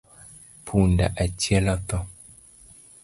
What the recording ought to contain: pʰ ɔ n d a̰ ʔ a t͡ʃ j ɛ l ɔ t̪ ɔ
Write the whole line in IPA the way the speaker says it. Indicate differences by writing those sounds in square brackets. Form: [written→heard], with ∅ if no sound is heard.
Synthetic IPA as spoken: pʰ [ɔ→u] n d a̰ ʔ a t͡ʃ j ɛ l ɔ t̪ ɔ

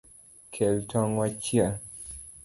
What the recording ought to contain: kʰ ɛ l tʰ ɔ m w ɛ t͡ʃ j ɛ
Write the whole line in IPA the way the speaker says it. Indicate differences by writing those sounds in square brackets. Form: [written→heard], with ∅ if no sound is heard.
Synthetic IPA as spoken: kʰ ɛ l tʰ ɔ [m→ŋ] w [ɛ→a] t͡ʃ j [ɛ→a]

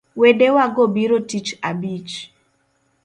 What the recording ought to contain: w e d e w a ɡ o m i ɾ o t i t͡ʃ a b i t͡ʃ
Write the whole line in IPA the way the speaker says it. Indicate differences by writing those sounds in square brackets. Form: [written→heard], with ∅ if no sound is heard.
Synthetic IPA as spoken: w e d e w a ɡ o [m→b] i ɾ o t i t͡ʃ a b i t͡ʃ

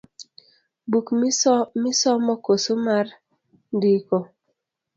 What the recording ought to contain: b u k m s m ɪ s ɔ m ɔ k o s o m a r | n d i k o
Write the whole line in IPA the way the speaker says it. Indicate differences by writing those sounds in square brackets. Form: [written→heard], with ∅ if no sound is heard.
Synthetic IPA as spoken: b u k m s m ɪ s ɔ m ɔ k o s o m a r | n d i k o

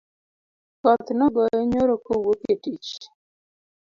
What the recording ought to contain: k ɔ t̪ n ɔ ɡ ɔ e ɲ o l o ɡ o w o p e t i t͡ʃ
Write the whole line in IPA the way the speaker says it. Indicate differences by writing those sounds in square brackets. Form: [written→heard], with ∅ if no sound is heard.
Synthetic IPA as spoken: k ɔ t̪ n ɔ ɡ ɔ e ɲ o [l→ɾ] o [ɡ→k] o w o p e t i t͡ʃ

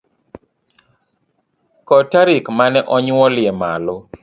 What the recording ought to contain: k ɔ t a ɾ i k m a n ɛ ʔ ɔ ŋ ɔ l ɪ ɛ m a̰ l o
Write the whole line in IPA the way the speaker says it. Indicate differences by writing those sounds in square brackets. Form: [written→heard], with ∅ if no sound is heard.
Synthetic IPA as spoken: k ɔ t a ɾ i k m a n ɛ ʔ ɔ [ŋ→ɲ] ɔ l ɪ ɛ m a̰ l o

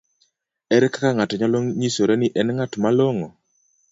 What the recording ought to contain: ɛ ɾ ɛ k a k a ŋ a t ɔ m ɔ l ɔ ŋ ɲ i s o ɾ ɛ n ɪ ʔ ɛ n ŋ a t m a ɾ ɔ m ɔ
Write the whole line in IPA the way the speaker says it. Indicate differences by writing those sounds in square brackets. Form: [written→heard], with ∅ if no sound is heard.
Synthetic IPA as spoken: ɛ ɾ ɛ k a k a ŋ a t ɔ [m→ɲ] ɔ l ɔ ŋ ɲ i s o ɾ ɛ n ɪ ʔ ɛ n ŋ a t m a [ɾ→l] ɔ [m→ŋ] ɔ

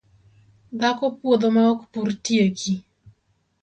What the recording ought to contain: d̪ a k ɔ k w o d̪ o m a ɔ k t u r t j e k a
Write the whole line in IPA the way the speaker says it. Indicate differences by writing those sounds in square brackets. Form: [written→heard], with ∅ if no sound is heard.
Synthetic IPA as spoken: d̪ a k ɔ [k→p] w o d̪ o m a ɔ k [t→p] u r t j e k [a→i]

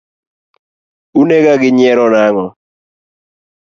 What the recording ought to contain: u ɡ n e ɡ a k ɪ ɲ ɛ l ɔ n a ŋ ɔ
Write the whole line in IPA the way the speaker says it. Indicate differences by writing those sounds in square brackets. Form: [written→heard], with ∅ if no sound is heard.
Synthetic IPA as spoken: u [ɡ→∅] n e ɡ a [k→ɡ] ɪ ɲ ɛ [l→ɾ] ɔ n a ŋ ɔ

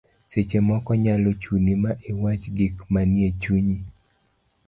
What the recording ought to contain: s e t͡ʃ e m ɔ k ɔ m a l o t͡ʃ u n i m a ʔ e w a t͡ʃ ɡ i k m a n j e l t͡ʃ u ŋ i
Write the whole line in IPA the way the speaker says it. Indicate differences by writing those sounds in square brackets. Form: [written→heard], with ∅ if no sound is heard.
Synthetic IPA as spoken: s e t͡ʃ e m ɔ k ɔ [m→ɲ] a l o t͡ʃ u n i m a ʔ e w a t͡ʃ ɡ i k m a n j e [l→∅] t͡ʃ u [ŋ→ɲ] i

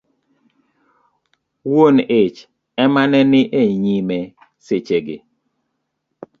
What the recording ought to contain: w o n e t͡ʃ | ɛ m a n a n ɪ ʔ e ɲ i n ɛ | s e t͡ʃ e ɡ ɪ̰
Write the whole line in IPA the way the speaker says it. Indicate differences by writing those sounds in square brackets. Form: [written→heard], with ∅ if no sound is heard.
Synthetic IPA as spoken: w o n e t͡ʃ | ɛ m a n [a→ɛ] n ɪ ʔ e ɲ i [n→m] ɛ | s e t͡ʃ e ɡ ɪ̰

